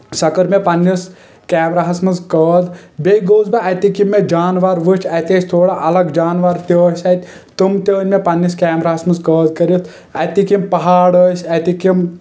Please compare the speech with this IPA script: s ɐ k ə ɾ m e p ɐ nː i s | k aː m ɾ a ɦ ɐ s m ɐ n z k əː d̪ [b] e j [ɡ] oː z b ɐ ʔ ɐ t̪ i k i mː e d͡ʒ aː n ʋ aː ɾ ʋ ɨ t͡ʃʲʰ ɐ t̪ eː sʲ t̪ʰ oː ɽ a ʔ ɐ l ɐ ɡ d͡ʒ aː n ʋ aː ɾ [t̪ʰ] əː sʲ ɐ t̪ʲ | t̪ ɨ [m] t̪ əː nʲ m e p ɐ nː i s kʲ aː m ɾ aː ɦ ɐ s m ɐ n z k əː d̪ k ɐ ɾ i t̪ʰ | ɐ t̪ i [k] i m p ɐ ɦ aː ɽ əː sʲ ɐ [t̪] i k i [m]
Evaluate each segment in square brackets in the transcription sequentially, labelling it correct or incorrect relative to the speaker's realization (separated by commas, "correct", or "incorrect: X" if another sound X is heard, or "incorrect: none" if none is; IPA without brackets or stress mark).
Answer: correct, correct, incorrect: t̪, correct, correct, correct, correct